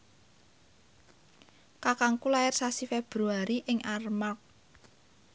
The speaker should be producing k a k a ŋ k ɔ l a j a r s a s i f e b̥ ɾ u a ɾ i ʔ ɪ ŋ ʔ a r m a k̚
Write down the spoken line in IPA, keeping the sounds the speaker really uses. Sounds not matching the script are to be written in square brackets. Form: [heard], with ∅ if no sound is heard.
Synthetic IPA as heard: k a k a ŋ k [u] l a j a r s a s i f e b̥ ɾ u a ɾ i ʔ ɪ ŋ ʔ a r m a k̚